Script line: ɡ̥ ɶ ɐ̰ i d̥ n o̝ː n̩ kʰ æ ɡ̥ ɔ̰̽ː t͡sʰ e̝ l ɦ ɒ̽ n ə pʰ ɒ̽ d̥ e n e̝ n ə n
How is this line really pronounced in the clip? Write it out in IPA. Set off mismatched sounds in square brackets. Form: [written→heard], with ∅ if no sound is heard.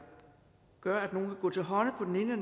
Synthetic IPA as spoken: ɡ̥ ɶ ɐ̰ [i→æ] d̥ n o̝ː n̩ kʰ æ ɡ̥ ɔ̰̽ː t͡sʰ e̝ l ɦ ɒ̽ n ə pʰ ɒ̽ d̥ e n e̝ n ə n